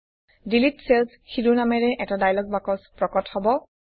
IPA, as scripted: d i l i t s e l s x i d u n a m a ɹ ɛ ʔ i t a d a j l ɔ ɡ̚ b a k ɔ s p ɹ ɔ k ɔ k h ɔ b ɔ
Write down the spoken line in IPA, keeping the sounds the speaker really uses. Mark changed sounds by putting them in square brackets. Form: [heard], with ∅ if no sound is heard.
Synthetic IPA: d i l i t s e l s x i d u n a m [ɛ] ɹ ɛ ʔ [ɛ] t a d a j l ɔ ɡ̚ b a k ɔ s p ɹ ɔ k ɔ [t] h ɔ b ɔ